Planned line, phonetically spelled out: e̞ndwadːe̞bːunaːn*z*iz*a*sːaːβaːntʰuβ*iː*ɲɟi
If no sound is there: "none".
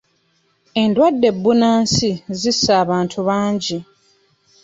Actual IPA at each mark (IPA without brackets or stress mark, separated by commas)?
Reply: s, i, aː